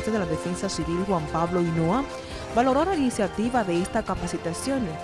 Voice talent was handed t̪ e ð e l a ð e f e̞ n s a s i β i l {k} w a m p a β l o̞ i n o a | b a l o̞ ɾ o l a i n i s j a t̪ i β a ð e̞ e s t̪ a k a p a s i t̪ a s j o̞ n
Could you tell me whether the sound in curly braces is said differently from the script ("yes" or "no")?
yes